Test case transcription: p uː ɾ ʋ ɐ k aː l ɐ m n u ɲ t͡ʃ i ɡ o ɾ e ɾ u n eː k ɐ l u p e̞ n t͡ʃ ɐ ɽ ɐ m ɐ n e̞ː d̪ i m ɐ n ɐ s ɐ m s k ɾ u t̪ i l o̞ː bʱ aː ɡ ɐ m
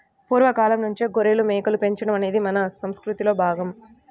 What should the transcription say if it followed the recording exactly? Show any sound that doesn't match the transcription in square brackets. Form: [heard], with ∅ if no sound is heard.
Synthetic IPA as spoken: p uː ɾ ʋ ɐ k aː l ɐ m n u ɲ t͡ʃ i ɡ o ɾ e [l] u [m] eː k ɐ l u p e̞ [ɲ] t͡ʃ ɐ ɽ ɐ m ɐ n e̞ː d̪ i m ɐ n ɐ s ɐ m s k ɾ u t̪ i l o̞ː bʱ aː ɡ ɐ m